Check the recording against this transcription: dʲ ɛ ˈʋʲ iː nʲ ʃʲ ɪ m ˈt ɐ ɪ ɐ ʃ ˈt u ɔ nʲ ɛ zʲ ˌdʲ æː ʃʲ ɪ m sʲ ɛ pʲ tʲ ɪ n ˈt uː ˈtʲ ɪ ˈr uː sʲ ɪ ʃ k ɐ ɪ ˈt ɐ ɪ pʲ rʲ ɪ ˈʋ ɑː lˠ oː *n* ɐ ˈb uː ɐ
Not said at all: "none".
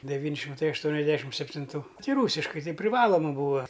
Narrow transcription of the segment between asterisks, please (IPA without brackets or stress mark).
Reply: m